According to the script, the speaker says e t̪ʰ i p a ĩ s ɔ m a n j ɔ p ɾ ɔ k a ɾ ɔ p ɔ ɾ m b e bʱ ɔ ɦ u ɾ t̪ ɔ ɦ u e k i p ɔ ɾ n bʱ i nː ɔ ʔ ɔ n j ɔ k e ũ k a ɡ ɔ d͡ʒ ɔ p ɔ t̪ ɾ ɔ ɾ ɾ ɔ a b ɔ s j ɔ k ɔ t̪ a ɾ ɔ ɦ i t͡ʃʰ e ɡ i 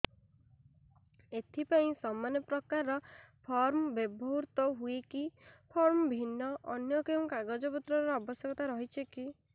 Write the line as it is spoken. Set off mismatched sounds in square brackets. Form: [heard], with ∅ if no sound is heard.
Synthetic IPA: e t̪ʰ i p a ĩ s ɔ m a n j ɔ p ɾ ɔ k a ɾ ɔ [pʰ] ɔ ɾ m b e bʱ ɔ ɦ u ɾ t̪ ɔ ɦ u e k i [pʰ] ɔ ɾ [m] bʱ i nː ɔ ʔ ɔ n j ɔ k e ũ k a ɡ ɔ d͡ʒ ɔ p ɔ t̪ ɾ ɔ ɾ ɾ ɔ a b ɔ s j ɔ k ɔ t̪ a ɾ ɔ ɦ i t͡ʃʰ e [k] i